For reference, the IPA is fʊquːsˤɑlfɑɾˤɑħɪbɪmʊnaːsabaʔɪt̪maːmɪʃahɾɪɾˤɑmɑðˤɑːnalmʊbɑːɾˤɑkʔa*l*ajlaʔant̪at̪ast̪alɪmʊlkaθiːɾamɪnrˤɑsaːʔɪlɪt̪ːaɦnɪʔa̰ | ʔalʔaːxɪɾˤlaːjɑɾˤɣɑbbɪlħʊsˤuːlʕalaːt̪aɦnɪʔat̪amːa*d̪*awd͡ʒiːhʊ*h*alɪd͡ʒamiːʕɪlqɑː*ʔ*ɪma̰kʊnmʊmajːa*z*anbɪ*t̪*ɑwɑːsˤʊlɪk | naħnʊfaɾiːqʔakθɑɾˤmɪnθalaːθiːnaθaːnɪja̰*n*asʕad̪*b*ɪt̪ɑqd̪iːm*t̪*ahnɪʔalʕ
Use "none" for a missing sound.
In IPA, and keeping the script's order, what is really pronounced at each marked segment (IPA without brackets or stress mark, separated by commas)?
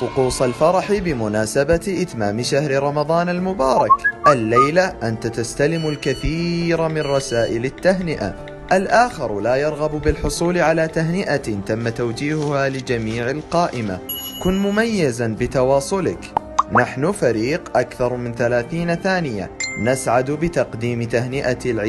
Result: lː, t̪, h, ʔ, z, t̪, n, b, t̪